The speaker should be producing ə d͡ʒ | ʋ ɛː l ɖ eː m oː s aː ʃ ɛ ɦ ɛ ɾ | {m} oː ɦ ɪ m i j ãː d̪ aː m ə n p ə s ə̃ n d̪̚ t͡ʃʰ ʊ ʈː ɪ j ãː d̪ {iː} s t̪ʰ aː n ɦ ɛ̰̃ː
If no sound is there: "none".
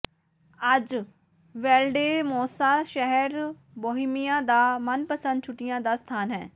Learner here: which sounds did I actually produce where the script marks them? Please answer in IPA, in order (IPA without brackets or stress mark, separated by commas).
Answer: b, aː